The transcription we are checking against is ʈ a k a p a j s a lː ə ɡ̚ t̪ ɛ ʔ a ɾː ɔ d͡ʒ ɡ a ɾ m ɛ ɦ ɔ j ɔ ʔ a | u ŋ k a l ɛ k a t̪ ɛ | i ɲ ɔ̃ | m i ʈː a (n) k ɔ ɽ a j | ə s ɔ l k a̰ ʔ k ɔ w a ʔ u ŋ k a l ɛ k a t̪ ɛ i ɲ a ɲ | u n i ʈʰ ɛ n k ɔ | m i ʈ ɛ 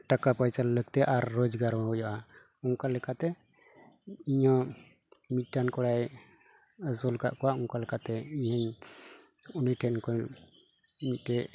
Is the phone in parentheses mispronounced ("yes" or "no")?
no